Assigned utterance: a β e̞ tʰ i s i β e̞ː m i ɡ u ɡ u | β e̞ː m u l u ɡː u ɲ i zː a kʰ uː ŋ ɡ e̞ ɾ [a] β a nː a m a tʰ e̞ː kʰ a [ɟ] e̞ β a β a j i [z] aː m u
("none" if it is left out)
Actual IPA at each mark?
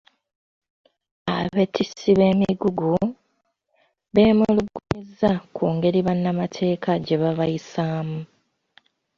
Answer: i, ɟ, s

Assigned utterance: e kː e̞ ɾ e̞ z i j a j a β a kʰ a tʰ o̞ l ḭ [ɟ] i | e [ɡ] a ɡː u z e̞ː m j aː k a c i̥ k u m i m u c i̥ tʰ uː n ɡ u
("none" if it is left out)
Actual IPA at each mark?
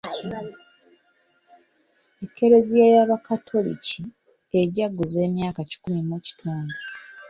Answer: c, ɟ

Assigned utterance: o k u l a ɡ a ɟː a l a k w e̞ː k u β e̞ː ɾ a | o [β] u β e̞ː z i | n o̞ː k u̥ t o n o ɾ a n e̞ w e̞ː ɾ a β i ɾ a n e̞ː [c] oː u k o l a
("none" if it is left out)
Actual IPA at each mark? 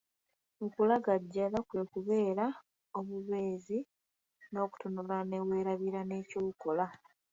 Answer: β, c

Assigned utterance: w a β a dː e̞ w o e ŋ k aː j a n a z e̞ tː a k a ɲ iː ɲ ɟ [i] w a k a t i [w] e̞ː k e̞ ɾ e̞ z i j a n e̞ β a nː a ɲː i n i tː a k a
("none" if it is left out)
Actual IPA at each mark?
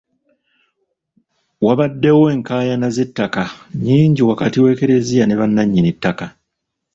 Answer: i, w

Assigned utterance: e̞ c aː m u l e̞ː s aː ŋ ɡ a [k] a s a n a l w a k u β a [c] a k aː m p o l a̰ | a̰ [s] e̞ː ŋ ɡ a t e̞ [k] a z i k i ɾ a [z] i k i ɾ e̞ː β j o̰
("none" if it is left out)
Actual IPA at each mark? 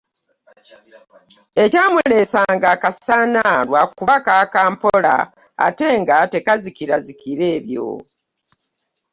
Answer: k, k, t, k, z

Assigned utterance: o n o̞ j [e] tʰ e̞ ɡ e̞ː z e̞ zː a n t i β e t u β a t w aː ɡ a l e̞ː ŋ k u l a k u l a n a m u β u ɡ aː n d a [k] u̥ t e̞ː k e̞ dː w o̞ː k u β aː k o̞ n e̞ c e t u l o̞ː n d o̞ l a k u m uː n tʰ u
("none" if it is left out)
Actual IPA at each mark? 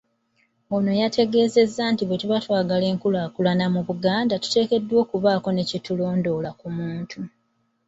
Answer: a, t

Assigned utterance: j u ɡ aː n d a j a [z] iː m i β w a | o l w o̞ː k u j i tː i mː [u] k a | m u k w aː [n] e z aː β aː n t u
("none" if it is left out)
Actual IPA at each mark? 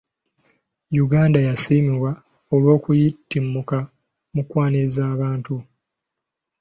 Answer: s, u, n

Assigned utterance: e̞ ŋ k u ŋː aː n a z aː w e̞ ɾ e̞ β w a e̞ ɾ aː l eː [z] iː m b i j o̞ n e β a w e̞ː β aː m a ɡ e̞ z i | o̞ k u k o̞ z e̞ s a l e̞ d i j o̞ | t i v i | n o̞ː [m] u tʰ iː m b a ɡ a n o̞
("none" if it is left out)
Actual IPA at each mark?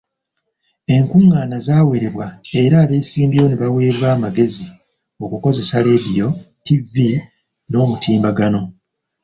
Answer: s, m

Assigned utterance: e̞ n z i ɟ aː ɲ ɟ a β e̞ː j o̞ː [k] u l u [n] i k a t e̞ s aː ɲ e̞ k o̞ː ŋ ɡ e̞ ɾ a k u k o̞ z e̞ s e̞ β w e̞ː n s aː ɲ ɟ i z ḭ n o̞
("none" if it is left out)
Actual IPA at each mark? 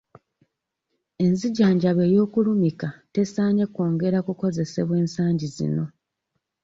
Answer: k, m

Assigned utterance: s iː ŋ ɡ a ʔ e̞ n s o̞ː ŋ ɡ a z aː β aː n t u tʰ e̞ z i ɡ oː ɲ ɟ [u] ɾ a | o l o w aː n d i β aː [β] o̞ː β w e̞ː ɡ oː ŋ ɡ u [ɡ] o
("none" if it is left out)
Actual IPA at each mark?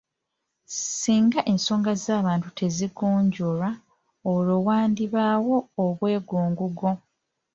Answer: o, w, ɡ

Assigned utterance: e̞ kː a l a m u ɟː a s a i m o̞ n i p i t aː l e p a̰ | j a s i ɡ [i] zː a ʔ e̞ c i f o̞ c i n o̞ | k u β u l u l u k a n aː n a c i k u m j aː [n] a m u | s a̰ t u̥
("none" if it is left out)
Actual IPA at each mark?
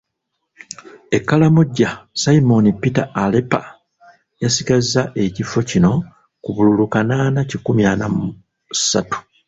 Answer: a, n

